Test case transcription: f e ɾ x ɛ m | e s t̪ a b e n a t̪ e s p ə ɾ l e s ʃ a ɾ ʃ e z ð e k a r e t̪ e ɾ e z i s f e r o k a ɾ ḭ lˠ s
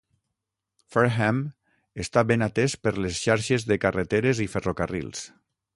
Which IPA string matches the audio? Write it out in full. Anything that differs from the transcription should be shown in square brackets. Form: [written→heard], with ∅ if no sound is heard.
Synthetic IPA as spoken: f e ɾ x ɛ m | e s t̪ a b e n a t̪ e s p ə ɾ l e s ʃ a ɾ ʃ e z ð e k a r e t̪ e ɾ e z i [s→∅] f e r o k a [ɾ→r] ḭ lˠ s